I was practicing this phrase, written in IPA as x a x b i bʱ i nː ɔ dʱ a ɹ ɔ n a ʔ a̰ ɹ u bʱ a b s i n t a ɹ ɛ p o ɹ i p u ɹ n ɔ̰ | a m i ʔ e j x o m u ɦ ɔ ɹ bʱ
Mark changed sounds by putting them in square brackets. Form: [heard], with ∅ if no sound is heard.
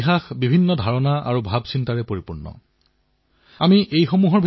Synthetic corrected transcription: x a x b i bʱ i nː ɔ dʱ a ɹ ɔ n a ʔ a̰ ɹ u bʱ a b s i n t a ɹ ɛ p o ɹ i p u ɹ n ɔ̰ | a m i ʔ e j x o m u ɦ ɔ ɹ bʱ